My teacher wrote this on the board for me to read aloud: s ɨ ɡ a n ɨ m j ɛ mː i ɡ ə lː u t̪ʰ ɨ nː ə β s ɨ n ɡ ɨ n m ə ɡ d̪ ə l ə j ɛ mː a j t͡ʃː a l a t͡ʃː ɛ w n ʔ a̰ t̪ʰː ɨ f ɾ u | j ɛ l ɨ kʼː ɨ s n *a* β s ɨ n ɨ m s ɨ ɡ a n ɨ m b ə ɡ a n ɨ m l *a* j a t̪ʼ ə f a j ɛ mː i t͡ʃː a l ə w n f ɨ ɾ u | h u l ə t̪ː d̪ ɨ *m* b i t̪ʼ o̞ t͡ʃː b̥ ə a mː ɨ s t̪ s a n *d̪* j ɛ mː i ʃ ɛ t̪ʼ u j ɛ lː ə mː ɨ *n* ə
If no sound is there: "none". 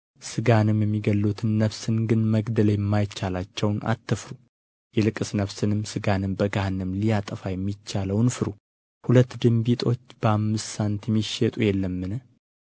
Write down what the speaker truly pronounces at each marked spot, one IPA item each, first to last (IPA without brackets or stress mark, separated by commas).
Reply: ə, i, m, t̪, n